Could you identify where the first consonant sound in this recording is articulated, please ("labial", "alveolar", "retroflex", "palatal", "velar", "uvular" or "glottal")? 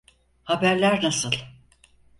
glottal